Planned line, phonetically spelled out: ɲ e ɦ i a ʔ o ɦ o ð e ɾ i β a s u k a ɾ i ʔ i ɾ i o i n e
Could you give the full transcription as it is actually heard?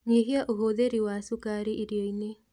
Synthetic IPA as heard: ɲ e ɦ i a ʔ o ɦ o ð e ɾ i w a s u k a ɾ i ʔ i ɾ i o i n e